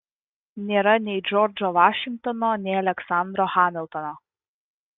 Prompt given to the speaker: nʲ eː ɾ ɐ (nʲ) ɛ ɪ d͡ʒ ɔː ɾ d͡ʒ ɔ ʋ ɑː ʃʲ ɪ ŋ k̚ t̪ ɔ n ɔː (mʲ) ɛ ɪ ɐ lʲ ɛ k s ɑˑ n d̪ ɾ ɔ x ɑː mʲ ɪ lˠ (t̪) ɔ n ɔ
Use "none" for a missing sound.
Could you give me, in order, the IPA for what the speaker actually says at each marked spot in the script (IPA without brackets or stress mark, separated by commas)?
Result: nʲ, nʲ, t̪